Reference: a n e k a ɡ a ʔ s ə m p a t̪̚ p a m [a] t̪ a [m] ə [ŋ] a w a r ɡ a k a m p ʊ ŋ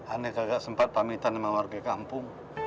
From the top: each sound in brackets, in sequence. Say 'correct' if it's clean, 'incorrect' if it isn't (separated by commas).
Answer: incorrect, incorrect, incorrect